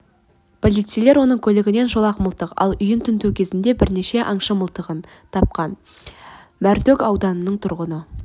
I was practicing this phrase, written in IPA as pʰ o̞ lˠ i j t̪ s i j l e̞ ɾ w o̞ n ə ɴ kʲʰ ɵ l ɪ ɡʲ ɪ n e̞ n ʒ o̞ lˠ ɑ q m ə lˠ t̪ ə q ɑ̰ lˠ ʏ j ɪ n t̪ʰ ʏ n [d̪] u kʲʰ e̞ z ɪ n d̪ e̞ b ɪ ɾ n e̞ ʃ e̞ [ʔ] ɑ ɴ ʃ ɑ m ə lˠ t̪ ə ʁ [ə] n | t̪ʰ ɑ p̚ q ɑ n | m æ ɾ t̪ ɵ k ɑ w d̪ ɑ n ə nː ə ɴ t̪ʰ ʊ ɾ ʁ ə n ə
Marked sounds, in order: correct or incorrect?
incorrect: t̪, correct, correct

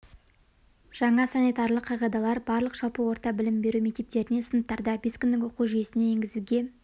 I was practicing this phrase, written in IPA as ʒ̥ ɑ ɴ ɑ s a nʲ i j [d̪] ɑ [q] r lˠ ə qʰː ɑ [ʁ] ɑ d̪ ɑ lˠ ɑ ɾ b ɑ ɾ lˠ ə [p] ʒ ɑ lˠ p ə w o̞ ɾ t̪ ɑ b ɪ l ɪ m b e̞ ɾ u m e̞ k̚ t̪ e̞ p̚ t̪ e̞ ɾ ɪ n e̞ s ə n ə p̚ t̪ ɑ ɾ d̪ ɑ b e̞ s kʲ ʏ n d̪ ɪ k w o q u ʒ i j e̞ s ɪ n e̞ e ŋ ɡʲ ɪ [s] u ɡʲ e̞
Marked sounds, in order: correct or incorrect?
incorrect: t̪, incorrect: none, correct, incorrect: q, incorrect: z

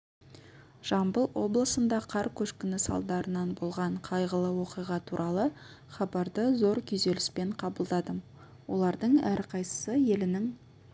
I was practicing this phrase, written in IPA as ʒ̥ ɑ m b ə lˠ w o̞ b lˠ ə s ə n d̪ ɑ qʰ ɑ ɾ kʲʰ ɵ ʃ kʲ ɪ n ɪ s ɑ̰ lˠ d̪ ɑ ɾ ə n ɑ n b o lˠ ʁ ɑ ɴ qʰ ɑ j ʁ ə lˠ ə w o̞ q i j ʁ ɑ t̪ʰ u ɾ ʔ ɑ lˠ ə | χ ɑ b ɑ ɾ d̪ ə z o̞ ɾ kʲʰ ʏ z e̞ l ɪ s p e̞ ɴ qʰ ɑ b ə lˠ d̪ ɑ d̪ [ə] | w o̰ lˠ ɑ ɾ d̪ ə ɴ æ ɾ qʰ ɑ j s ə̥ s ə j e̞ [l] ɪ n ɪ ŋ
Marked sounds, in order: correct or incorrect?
correct, correct

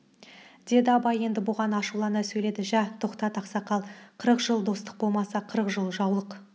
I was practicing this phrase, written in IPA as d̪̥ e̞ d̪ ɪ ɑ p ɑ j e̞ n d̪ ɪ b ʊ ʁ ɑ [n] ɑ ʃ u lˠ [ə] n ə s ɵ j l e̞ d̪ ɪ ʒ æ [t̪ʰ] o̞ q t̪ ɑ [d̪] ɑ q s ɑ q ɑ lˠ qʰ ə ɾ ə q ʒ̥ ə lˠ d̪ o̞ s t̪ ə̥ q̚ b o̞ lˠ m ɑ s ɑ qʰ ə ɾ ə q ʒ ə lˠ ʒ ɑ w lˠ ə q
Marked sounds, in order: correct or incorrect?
correct, incorrect: ɑ, correct, incorrect: t̪

